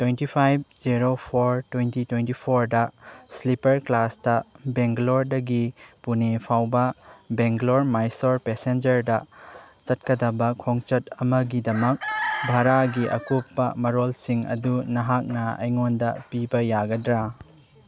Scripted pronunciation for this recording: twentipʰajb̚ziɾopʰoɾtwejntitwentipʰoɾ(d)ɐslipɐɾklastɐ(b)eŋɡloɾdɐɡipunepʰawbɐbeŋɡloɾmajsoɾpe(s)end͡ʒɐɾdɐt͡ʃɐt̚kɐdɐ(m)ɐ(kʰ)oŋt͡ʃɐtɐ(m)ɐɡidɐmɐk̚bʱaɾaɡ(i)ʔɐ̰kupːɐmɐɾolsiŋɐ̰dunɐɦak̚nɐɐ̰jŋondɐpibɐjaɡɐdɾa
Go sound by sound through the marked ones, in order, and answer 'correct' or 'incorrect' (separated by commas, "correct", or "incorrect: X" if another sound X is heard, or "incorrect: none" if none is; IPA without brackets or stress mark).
correct, correct, correct, incorrect: b, correct, correct, correct